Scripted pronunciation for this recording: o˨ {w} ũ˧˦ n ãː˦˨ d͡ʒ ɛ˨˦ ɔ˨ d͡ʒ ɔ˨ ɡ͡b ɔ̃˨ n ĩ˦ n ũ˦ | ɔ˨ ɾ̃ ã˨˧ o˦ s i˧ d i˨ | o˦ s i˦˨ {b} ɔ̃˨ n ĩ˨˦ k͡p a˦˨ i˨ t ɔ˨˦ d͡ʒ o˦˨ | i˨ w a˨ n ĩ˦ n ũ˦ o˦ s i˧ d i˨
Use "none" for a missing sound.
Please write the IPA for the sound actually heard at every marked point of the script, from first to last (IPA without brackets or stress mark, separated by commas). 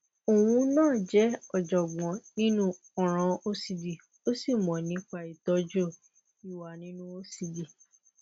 w, m